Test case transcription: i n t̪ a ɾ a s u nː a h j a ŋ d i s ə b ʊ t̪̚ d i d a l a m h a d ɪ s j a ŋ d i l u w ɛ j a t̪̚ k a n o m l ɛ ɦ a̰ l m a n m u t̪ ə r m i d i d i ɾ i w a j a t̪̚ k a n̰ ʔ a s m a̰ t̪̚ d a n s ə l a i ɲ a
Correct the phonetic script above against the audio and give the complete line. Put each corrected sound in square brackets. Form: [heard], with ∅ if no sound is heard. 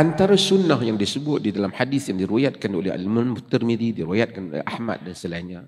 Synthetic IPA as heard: [a] n t̪ a ɾ a s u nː a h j a ŋ d i s ə b ʊ t̪̚ d i d a l a m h a d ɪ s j a ŋ d i [ɾ] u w [a] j a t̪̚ k a n o [∅] l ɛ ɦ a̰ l m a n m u t̪ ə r m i d i d i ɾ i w a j a t̪̚ k a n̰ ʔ a [h] m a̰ t̪̚ d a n s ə l a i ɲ a